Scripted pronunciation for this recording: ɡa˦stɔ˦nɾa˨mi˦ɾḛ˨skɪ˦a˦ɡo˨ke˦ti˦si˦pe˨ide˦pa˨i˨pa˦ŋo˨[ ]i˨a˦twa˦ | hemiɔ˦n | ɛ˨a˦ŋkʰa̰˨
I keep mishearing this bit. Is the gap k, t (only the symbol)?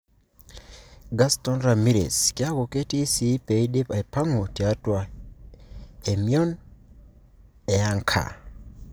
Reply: t